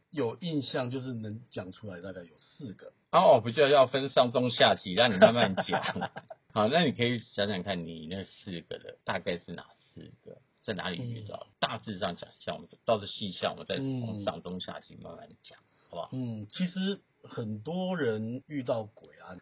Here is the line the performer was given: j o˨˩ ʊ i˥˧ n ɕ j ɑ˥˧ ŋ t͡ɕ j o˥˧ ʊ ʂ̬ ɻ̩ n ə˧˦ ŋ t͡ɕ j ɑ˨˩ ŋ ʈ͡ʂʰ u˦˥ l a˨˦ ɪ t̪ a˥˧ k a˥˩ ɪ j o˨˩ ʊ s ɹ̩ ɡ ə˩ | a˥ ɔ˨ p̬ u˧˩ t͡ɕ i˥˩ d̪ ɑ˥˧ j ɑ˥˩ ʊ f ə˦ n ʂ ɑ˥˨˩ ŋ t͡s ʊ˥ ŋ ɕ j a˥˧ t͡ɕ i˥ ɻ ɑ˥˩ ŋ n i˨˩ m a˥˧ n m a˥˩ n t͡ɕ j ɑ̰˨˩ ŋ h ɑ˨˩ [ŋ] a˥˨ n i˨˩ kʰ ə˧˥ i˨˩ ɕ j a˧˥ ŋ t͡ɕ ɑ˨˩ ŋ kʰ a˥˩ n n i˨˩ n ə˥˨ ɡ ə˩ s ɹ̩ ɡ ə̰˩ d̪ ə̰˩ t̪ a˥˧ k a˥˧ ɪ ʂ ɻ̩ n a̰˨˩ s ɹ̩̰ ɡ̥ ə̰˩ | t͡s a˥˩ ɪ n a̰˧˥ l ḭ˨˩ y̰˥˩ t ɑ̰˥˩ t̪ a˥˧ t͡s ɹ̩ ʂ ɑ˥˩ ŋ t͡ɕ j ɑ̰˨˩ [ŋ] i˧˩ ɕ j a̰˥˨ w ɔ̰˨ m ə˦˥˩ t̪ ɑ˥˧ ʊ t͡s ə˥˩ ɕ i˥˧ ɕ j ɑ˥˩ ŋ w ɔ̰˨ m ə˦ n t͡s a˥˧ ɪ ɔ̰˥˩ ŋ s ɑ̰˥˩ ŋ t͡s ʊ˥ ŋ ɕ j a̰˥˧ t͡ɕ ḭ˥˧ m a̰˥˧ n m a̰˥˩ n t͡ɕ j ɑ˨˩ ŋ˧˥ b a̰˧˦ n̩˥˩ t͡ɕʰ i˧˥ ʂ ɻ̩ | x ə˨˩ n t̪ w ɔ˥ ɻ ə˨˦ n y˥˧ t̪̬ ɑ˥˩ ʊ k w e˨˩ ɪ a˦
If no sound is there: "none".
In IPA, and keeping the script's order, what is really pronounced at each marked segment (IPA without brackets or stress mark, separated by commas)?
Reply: n, ŋ